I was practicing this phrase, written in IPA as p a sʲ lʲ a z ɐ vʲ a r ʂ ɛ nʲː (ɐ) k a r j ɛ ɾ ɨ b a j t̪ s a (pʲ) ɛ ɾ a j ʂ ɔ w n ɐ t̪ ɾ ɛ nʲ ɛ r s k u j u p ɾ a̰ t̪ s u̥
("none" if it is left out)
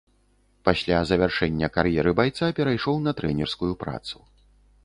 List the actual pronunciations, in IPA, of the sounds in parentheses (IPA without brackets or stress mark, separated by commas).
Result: ɐ, pʲ